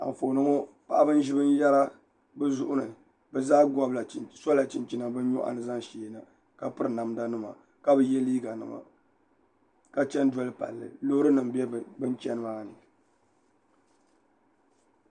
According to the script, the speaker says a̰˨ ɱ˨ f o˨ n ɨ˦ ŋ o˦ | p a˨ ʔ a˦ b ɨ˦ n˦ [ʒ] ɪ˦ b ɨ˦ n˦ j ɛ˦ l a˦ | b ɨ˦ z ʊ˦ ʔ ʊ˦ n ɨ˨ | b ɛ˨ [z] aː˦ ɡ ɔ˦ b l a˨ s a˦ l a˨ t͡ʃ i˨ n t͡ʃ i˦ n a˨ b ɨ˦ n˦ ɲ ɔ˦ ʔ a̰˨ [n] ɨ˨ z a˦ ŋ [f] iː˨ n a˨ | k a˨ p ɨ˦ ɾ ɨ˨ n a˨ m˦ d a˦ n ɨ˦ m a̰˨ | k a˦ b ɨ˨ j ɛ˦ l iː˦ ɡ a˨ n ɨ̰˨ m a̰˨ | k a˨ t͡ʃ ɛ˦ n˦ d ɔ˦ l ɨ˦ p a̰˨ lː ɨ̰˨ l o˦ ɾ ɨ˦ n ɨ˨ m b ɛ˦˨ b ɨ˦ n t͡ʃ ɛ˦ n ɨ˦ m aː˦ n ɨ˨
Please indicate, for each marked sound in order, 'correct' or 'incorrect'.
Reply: correct, correct, correct, incorrect

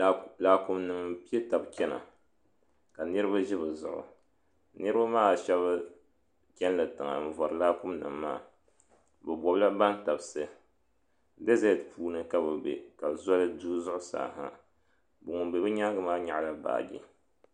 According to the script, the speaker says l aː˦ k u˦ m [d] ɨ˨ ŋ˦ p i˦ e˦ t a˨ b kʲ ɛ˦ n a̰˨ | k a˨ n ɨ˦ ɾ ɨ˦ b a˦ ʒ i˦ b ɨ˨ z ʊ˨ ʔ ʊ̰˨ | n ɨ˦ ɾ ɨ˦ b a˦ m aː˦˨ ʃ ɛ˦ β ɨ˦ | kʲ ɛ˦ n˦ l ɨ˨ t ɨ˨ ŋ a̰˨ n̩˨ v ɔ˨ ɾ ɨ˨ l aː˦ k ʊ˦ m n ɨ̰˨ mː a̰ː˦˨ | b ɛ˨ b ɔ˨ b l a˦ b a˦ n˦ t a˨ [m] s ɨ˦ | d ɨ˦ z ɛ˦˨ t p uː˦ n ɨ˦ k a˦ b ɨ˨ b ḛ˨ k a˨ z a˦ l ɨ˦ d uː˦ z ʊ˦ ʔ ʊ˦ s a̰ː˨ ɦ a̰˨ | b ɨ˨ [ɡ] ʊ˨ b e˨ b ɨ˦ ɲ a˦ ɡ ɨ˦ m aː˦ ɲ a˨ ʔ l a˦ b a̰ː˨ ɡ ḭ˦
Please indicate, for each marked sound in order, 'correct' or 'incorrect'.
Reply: incorrect, incorrect, incorrect

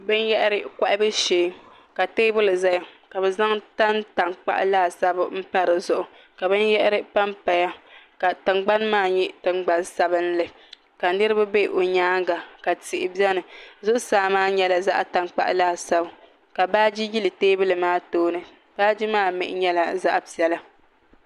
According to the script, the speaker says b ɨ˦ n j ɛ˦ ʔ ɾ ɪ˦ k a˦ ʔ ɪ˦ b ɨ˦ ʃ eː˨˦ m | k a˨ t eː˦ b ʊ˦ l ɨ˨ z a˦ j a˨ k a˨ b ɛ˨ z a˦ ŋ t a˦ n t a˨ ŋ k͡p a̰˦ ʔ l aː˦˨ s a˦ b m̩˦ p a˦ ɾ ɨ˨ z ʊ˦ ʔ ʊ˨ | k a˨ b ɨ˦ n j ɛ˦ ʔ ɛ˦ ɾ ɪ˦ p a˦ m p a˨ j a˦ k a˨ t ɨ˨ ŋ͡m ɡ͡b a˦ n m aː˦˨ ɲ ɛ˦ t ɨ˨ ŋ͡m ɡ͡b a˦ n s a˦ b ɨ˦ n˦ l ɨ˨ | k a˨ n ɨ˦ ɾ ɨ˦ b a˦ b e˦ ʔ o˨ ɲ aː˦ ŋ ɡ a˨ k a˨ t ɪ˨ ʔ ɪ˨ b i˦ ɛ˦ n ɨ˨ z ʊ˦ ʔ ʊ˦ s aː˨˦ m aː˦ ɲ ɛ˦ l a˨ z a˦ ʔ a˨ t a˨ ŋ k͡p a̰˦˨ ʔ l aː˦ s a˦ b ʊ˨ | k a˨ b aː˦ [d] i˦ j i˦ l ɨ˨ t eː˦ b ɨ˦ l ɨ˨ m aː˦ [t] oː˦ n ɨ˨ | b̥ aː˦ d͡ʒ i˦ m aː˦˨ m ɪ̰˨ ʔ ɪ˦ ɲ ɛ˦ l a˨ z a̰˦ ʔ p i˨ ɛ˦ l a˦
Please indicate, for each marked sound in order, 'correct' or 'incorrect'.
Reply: incorrect, correct

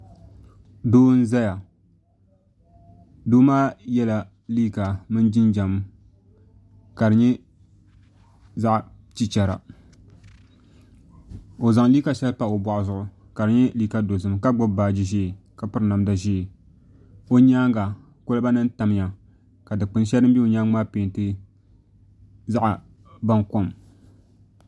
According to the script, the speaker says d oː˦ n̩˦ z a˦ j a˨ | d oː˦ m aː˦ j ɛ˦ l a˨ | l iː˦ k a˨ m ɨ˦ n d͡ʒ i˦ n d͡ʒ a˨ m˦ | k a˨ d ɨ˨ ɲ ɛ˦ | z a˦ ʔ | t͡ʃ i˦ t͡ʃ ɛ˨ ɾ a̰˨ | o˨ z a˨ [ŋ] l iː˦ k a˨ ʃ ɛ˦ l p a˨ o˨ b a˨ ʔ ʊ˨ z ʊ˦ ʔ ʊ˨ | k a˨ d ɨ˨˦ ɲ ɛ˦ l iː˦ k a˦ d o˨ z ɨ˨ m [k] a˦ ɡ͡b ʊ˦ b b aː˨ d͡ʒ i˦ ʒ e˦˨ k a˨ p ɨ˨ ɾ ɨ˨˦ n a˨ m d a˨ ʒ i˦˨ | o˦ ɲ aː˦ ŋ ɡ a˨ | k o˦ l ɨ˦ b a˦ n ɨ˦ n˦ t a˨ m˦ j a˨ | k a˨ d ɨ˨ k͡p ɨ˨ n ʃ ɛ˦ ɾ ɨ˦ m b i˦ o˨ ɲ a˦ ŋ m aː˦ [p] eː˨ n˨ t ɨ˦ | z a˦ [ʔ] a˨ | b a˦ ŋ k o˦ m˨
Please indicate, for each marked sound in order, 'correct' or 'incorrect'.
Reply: correct, correct, correct, correct

